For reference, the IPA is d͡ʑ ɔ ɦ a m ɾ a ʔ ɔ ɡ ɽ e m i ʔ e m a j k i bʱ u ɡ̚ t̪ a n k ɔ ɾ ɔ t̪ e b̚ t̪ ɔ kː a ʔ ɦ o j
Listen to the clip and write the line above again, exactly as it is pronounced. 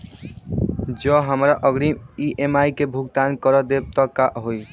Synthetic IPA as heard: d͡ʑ ɔ ɦ a m ɾ a ʔ ɔ ɡ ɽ i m i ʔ e m a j k e bʱ u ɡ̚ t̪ a n k ɔ ɾ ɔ d̪ e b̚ t̪ ɔ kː a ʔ ɦ o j